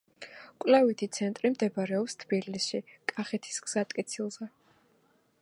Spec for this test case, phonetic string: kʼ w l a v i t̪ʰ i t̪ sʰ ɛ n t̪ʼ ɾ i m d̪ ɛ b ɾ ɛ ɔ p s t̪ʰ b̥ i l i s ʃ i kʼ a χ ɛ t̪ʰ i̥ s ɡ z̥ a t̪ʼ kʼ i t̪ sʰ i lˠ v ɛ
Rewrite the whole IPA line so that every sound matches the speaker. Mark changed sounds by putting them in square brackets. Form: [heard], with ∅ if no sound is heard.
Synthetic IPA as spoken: kʼ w l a v i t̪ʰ i t̪ sʰ ɛ n t̪ʼ ɾ i m d̪ ɛ b ɾ ɛ ɔ p s t̪ʰ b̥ i l i s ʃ i kʼ a χ ɛ t̪ʰ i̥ s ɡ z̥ a t̪ʼ kʼ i t̪ sʰ i lˠ [z] ɛ